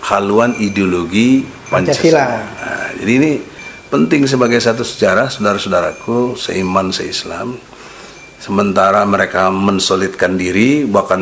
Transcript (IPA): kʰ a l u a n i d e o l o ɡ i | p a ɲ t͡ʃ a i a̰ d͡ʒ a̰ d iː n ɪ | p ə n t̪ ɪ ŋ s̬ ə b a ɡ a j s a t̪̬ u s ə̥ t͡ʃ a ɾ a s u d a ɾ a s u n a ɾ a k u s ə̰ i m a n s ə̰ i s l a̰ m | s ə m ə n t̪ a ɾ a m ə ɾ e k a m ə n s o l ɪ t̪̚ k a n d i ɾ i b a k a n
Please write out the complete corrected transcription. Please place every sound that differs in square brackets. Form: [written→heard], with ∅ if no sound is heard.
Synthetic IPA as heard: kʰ a l u a n i d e o l o ɡ i | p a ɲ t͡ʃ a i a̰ d͡ʒ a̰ d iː n [ɪ→i] | p ə n t̪ ɪ ŋ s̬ ə b a ɡ a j s a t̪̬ u s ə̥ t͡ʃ a ɾ a s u d a ɾ a s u [n→d] a ɾ a k u s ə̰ i m a n s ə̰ i s l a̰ m | s ə m ə n t̪ a ɾ a m ə ɾ e k a m ə n s o l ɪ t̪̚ k a n d i ɾ i b a k a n